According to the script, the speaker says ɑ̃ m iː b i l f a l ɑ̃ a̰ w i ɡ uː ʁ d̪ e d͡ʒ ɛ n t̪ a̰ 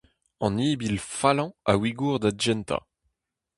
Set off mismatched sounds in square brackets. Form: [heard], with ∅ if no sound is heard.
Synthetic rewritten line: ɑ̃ [n] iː b i l f a l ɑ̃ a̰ w i ɡ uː ʁ d̪ [a] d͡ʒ ɛ n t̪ a̰

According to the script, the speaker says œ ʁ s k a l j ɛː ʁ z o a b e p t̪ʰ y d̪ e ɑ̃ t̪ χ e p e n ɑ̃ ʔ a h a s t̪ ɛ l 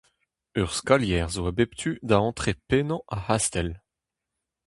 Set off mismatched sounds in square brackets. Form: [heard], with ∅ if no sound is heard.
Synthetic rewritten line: œ ʁ s k a l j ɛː ʁ z o a b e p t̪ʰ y d̪ [a] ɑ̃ t̪ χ e p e n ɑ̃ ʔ a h a s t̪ ɛ l

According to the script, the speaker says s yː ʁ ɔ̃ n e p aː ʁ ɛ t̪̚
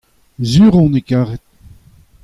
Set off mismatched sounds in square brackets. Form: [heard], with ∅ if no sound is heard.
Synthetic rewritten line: [z] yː ʁ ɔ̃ n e [k] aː ʁ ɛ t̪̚

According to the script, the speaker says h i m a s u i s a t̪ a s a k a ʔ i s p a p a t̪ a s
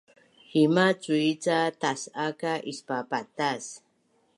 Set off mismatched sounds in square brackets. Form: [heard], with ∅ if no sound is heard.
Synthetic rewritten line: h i m a [t͡s] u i [t͡s] a t̪ a s a k a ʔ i s p a p a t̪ a s

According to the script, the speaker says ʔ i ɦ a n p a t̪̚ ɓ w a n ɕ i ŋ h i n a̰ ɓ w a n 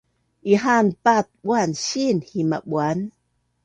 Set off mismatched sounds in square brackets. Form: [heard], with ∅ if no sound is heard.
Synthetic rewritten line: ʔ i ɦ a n p a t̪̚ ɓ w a n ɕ i [n] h i [m] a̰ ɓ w a n

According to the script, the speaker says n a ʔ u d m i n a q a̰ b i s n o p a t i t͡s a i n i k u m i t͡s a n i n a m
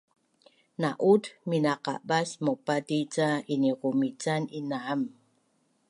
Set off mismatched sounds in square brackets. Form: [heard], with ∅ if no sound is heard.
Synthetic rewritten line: n a ʔ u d m i n a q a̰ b [a] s [m] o p a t i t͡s a i n i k u m i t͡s a n i n a m

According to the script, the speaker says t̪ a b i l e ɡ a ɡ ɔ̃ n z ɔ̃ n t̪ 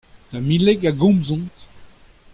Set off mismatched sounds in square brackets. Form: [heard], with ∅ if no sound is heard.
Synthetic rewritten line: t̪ a [m] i l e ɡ a ɡ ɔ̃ [m] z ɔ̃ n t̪

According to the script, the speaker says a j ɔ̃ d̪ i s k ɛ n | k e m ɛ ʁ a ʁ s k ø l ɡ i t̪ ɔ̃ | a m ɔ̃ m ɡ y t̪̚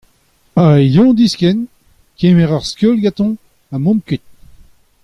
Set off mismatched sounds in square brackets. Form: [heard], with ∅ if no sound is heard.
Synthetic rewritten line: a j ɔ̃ d̪ i s k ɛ n | k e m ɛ ʁ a ʁ s k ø l ɡ [a] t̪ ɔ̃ | a m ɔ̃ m [k] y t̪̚

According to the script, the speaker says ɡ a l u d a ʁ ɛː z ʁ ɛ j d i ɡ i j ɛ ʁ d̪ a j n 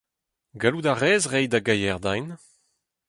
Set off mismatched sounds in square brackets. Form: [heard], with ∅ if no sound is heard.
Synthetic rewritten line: ɡ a l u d a ʁ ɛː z ʁ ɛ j d [a] ɡ [a] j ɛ ʁ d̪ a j n

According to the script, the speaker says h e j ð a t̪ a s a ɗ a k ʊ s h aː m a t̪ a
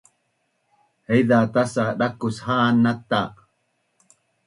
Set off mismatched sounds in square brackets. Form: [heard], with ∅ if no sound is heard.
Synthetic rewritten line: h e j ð a t̪ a s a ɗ a k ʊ s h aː [n] a t̪ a

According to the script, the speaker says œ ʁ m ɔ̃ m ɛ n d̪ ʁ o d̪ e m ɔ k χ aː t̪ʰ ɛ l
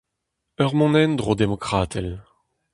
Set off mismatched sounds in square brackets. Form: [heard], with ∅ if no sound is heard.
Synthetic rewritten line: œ ʁ m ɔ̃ [n] ɛ n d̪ ʁ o d̪ e m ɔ k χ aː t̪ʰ ɛ l

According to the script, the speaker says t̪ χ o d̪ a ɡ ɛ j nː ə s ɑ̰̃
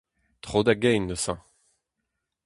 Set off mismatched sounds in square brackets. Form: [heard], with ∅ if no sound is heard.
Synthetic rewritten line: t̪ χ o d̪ a ɡ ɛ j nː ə s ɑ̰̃

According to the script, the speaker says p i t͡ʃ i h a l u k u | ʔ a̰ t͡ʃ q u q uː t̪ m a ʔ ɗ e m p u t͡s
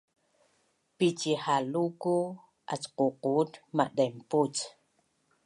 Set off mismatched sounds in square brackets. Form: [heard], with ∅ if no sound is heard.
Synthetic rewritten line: p i t͡ʃ i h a l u k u | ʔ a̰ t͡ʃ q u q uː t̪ m a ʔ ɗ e m p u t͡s

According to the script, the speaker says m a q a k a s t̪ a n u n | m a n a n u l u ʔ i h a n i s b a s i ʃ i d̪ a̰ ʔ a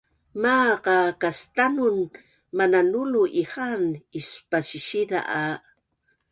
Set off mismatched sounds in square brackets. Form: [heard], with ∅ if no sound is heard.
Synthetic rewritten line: m a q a k a s t̪ a n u n | m a n a n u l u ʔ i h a n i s [p] a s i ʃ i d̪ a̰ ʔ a

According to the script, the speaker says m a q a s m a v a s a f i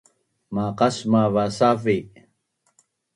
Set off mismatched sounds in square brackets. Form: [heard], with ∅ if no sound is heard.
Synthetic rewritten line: m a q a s m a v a s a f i

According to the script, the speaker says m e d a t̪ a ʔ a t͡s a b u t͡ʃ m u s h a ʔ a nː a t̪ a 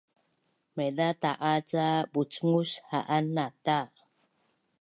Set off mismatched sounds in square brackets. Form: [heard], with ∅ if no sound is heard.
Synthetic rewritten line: m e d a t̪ a ʔ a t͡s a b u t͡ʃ [ŋ] u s h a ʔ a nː a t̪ a

